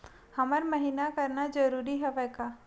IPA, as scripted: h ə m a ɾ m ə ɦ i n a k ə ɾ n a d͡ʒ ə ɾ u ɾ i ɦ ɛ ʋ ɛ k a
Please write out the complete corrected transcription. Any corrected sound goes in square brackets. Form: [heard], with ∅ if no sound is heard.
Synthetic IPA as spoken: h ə m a ɾ m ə ɦ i n a k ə ɾ n a d͡ʒ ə ɾ u ɾ i ɦ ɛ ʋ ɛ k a